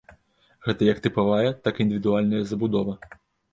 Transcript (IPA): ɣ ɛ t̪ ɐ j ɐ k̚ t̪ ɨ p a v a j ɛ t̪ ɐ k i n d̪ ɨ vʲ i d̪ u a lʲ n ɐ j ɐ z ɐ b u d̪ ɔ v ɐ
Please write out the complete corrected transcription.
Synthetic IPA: ɣ ɛ t̪ ɐ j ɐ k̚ t̪ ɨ p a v a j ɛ t̪ a k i n d̪ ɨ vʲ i d̪ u a lʲ n ɐ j ɐ z ɐ b u d̪ ɔ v ɐ